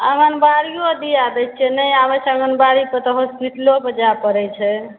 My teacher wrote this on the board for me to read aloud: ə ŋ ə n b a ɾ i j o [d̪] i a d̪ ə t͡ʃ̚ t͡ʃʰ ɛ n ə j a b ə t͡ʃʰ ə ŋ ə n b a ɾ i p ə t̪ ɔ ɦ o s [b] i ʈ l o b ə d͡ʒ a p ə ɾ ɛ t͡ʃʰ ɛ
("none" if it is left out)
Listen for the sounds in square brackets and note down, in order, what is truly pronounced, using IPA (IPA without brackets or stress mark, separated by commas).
d̪, p